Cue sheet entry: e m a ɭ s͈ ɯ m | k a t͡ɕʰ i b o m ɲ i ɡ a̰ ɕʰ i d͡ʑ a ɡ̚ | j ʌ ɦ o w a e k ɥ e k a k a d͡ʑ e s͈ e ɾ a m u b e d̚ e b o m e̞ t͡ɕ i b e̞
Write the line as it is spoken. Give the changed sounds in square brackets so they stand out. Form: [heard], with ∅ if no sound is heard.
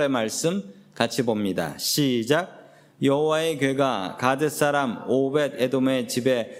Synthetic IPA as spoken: e m a ɭ s͈ ɯ m | k a t͡ɕʰ i b o m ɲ i [d] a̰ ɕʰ i d͡ʑ a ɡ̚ | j ʌ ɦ o w a e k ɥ e [ɡ] a k a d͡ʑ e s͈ [a] ɾ a m [o] b e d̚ e [d] o m e̞ t͡ɕ i b e̞